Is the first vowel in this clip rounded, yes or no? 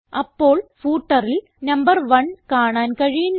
no